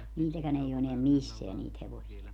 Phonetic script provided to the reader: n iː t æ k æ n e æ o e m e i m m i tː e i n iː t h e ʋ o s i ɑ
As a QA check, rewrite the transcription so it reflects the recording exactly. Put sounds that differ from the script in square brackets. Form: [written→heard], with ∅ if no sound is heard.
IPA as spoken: n iː t æ k æ n e [æ→i] o e [m→n] e [i→æ] m m i [tː→sː] e [i→æ] n iː t h e ʋ o s i ɑ